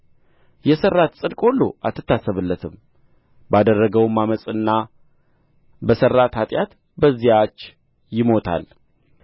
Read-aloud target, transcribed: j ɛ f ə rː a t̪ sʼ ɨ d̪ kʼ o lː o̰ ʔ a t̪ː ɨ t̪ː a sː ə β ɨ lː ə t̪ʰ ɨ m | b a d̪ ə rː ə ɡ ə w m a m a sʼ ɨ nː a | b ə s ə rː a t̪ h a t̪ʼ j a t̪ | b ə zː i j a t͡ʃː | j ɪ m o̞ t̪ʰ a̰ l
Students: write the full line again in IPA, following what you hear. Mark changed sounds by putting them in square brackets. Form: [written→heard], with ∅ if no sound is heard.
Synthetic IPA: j ɛ [f→s] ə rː a t̪ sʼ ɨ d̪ kʼ o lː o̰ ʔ a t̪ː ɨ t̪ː a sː ə β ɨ lː ə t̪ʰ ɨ m | b a d̪ ə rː ə ɡ ə w m a m [a→ə] sʼ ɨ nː a | b ə s ə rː a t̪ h a t̪ʼ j a t̪ | b ə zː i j a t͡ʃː | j ɪ m o̞ t̪ʰ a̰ l